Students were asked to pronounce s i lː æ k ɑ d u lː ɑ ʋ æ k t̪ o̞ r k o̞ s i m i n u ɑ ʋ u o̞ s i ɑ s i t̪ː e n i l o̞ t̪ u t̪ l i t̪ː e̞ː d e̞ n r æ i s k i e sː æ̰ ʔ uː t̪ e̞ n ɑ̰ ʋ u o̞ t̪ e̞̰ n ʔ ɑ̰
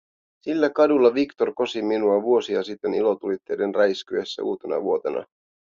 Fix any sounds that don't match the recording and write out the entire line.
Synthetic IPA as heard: s i lː æ k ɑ d u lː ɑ ʋ i k t̪ o̞ r k o̞ s i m i n u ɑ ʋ u o̞ s i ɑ s i t̪ː e n i l o̞ t̪ u l i t̪ː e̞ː d e̞ n r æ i s k y e sː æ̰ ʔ uː t̪ e̞ n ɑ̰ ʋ u o̞ t̪ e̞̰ n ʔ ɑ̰